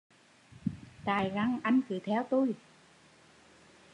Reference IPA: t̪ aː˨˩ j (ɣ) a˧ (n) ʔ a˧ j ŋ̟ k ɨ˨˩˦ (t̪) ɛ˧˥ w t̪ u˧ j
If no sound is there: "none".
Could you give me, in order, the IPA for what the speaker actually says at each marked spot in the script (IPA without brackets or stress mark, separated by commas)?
ɣ, ŋ, t̪ʰ